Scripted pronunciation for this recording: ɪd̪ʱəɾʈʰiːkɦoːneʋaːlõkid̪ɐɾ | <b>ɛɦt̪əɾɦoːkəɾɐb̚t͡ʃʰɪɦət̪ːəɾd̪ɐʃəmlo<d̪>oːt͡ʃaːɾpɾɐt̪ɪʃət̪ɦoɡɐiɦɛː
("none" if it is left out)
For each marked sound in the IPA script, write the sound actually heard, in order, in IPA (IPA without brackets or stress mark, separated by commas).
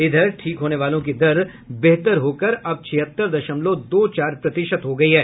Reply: b, d̪